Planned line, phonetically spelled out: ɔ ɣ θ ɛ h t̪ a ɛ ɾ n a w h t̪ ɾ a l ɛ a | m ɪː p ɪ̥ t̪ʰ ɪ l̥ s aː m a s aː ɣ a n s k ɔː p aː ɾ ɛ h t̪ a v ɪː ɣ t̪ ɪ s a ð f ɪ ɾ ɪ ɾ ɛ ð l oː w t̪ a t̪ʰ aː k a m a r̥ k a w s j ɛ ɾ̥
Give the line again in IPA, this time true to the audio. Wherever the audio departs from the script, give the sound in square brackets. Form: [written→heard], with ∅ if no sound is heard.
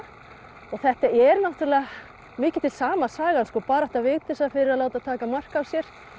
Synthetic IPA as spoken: ɔ ɣ θ ɛ h t̪ a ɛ ɾ n a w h t̪ ɾ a l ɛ a | m ɪː [p→c] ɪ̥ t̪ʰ ɪ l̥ s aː m a s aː ɣ a n s k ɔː p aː ɾ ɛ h t̪ a v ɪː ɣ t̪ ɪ s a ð f ɪ ɾ ɪ ɾ [ɛ→a] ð l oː w t̪ a t̪ʰ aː k a m a r̥ k a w s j ɛ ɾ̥